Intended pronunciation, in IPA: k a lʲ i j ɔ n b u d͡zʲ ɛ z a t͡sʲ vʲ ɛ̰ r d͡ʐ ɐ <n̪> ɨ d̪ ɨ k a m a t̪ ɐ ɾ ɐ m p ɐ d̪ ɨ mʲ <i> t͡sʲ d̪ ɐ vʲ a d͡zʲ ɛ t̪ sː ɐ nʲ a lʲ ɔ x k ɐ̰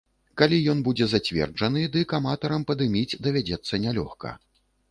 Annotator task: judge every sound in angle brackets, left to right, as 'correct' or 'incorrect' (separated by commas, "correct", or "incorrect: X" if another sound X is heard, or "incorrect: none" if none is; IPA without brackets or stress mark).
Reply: correct, correct